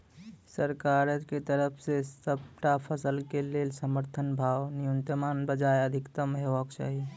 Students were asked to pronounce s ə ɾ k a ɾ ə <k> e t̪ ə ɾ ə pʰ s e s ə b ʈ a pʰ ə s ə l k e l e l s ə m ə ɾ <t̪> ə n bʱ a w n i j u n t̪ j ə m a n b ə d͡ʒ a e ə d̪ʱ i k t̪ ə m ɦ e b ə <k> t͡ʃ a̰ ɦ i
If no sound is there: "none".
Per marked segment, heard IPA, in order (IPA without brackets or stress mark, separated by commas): k, t̪ʰ, k